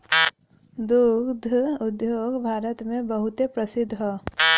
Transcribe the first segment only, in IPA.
d̪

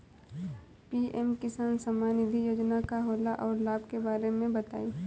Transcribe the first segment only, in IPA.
p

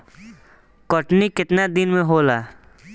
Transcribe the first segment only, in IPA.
k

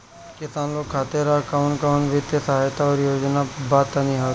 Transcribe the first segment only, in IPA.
k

